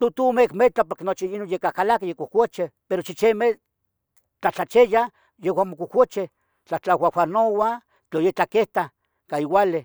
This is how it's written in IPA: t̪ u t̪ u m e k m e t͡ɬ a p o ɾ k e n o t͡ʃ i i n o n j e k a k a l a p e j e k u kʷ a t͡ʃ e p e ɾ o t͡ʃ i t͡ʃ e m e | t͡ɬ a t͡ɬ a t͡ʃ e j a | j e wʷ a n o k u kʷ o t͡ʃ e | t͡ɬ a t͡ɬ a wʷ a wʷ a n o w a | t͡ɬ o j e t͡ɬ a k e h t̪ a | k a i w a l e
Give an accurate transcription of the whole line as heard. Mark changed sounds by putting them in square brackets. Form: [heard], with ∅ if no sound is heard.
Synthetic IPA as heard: t̪ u t̪ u m e k m e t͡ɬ a p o ɾ k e n o t͡ʃ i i n o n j e k a k a l a [k] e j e k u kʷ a t͡ʃ e p e ɾ o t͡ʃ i t͡ʃ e m e | t͡ɬ a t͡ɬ a t͡ʃ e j a | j e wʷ a [m] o k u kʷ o t͡ʃ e | t͡ɬ a t͡ɬ a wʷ a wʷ a n o w a | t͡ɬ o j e t͡ɬ a k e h t̪ a | k a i w a l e

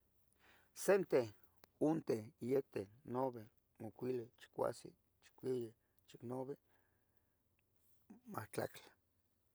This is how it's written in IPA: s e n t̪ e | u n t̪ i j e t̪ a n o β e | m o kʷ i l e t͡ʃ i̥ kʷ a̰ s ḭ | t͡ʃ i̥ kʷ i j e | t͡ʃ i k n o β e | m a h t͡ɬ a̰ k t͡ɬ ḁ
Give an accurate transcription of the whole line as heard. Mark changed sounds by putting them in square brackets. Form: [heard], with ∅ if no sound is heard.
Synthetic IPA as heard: s e n t̪ e | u n t̪ [e] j e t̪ [e] n o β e | m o kʷ i l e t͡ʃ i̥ kʷ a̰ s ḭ | t͡ʃ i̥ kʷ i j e | t͡ʃ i k n o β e | m a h t͡ɬ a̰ k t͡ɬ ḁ

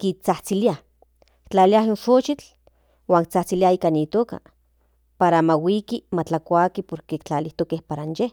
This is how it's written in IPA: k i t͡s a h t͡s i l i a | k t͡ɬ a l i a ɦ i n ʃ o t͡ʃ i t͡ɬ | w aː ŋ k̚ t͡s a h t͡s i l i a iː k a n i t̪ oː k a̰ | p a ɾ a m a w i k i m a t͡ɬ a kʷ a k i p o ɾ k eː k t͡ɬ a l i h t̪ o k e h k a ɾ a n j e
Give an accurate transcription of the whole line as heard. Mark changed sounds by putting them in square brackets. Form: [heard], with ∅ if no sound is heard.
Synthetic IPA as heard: k i t͡s a h t͡s i l i a | k t͡ɬ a l i a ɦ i n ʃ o t͡ʃ i t͡ɬ | w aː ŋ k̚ t͡s a h t͡s i l i a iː k a n i t̪ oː k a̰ | p a ɾ a m a w i k i m a t͡ɬ a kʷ a k i p o ɾ k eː k t͡ɬ a l i h t̪ o k e h [p] a ɾ a n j e

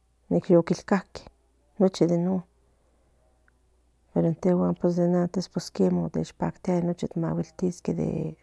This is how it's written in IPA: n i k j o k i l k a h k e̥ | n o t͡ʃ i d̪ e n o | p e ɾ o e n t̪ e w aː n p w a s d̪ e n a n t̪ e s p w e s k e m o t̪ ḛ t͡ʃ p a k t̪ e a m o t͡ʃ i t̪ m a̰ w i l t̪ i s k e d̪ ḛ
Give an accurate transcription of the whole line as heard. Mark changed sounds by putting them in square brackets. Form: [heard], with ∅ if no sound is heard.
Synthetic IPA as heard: n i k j o k i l k a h k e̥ | n o t͡ʃ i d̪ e n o | p e ɾ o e n t̪ e w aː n p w [e] s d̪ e n a n t̪ e s p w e s k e m o t̪ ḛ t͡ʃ p a k t̪ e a [n] o t͡ʃ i t̪ m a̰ w i l t̪ i s k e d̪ ḛ

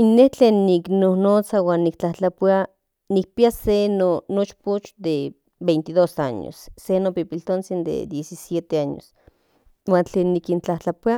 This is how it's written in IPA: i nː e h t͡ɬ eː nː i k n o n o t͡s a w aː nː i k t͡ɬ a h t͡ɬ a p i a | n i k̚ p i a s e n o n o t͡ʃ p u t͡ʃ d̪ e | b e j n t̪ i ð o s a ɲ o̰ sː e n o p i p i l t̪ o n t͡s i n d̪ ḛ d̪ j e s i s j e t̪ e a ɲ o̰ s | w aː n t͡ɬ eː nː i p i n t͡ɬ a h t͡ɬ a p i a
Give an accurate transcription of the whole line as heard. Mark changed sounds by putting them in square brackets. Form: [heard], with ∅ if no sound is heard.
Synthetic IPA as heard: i nː e h t͡ɬ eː nː i k n o n o t͡s a w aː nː i k t͡ɬ a h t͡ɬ a p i a | n i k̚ p i a s e n o n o t͡ʃ p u t͡ʃ d̪ e | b e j n t̪ i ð o s a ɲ o̰ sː e n o p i p i l t̪ o n t͡s i n d̪ ḛ d̪ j e s i s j e t̪ e a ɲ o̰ s | w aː n t͡ɬ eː nː i [k] i n t͡ɬ a h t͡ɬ a p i a

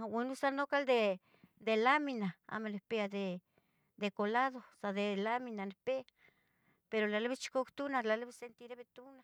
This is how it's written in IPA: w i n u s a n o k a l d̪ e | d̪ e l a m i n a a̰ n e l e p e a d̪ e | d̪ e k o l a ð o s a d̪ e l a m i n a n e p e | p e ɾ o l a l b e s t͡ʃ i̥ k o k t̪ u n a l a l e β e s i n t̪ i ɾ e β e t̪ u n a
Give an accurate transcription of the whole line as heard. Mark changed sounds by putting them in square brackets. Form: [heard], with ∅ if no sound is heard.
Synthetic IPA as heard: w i n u s a n o k a l d̪ e | d̪ e l a m i n a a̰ [m] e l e p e a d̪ e | d̪ e k o l a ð o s a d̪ e l a m i n a n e p e | p e ɾ o l a l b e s t͡ʃ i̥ k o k t̪ u n a l a l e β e s [e] n t̪ i ɾ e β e t̪ u n a

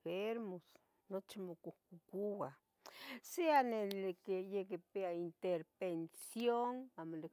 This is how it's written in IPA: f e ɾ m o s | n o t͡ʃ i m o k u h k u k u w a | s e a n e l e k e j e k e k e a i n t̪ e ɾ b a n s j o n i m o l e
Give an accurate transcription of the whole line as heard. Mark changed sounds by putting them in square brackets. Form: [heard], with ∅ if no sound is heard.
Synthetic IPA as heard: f e ɾ m o s | n o t͡ʃ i m o k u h k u k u w a | s e a n e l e k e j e k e [p] e a i n t̪ e ɾ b [e] n s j o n [a] m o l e

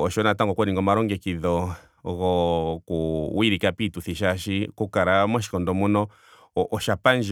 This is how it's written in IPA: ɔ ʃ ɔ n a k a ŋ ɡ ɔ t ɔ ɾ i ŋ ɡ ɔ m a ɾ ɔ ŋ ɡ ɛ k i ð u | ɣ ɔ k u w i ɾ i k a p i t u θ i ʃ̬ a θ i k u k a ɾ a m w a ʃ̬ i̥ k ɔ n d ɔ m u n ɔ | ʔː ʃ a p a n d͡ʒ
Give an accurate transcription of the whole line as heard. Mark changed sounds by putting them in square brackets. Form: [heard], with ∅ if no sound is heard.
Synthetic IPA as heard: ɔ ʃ ɔ n a [t] a ŋ ɡ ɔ [k] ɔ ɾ i ŋ ɡ ɔ m a ɾ ɔ ŋ ɡ ɛ k i ð [ɔ] | ɣ ɔ k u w i ɾ i k a p i t u θ i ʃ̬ a [ʃ] i k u k a ɾ a m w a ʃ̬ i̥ k ɔ n d ɔ m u n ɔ | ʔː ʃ a p a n d͡ʒ

